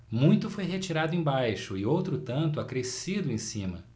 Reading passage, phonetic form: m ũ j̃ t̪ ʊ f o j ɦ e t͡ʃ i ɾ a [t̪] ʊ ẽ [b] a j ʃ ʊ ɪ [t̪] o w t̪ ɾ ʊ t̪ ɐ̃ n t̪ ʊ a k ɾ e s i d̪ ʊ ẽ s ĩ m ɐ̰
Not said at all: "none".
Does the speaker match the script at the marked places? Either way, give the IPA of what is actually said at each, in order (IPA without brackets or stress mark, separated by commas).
d̪, b, none